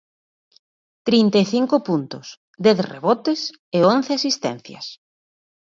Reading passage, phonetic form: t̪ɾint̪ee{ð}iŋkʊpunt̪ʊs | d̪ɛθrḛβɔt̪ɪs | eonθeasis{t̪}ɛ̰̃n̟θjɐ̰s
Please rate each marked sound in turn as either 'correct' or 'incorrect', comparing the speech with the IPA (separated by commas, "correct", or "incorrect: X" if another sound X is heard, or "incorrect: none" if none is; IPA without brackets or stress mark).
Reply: incorrect: θ, correct